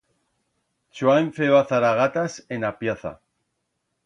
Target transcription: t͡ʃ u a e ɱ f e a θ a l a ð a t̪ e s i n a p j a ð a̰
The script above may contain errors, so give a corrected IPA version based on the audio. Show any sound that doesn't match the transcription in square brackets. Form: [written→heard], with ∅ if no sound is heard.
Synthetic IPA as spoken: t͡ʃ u a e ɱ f e a θ a [l→ɾ] a [ð→ɣ] a t̪ [e→a] s [i→e] n a p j a [ð→θ] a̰